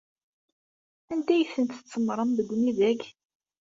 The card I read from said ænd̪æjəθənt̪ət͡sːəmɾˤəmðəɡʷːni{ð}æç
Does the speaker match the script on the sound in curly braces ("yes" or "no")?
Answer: yes